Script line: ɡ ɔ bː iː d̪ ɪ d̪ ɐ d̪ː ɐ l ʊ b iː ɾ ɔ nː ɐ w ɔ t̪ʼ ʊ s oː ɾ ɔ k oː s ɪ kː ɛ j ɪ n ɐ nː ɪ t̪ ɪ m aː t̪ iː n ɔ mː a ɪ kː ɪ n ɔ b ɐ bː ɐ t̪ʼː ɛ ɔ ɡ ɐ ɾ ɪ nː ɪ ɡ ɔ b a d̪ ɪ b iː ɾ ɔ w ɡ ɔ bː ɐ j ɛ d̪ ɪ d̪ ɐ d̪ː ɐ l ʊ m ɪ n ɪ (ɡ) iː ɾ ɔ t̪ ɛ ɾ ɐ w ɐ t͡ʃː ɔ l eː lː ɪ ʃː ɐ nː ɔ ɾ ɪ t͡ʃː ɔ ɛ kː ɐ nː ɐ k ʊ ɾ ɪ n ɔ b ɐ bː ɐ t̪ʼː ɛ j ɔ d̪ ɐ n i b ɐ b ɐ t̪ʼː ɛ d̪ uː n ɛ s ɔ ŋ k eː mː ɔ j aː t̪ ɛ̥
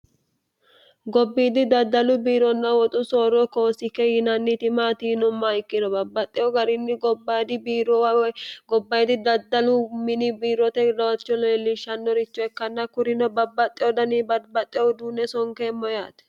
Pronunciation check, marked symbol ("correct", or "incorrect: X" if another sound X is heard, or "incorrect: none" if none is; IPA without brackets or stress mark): incorrect: b